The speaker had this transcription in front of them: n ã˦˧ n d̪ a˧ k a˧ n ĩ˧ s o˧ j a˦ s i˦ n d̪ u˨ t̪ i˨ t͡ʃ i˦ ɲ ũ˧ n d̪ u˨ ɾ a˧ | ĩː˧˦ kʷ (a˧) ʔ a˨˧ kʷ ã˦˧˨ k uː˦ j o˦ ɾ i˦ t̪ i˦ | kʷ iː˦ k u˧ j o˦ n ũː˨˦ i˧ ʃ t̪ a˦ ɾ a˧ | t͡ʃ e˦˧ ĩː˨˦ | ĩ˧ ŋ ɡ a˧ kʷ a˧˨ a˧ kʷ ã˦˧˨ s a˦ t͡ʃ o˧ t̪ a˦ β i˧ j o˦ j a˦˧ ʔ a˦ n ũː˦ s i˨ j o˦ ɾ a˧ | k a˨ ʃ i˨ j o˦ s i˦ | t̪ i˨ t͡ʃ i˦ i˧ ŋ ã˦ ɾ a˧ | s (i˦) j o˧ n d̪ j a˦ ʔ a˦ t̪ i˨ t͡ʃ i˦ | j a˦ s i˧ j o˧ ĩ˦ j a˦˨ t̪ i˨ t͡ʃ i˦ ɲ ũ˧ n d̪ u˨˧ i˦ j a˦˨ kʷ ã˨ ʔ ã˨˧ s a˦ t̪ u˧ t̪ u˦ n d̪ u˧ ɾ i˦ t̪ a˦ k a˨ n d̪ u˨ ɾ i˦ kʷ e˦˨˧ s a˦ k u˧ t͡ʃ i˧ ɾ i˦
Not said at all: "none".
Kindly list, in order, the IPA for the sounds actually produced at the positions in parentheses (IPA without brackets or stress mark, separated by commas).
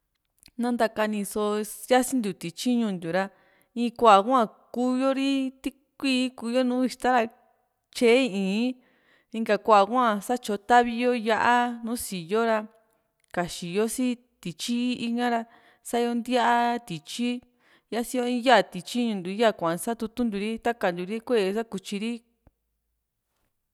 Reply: a˧, a˦